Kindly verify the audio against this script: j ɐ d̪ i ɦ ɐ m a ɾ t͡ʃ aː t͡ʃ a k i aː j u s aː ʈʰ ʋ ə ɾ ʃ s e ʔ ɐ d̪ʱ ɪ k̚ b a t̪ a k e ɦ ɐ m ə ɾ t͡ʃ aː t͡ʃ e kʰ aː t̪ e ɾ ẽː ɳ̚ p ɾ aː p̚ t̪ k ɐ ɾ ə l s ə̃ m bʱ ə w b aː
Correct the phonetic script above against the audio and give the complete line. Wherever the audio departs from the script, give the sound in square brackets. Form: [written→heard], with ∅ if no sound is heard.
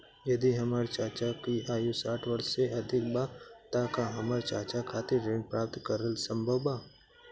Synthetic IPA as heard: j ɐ d̪ i ɦ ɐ m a ɾ t͡ʃ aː t͡ʃ a k i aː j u s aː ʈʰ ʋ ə ɾ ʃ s e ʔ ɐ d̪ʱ ɪ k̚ b a t̪ a k [e→a] ɦ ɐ m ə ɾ t͡ʃ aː t͡ʃ [e→a] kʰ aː t̪ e ɾ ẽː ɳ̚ p ɾ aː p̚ t̪ k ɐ ɾ ə l s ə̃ m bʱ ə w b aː